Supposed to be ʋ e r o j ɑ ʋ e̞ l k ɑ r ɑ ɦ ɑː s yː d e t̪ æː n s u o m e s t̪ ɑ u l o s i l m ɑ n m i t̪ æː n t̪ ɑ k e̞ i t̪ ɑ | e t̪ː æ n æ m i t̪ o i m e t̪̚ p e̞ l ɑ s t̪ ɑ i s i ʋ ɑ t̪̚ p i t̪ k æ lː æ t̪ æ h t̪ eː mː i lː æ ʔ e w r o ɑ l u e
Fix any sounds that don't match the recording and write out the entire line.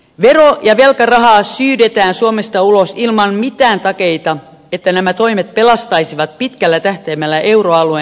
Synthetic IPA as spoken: ʋ e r o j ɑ ʋ e̞ l k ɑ r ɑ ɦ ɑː s yː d e t̪ æː n s u o m e s t̪ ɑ u l o s i l m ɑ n m i t̪ æː n t̪ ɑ k e̞ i t̪ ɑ | e t̪ː æ n æ m æ t̪ o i m e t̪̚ p e̞ l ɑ s t̪ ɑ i s i ʋ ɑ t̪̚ p i t̪ k æ lː æ t̪ æ h t̪ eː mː æ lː æ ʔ e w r o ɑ l u e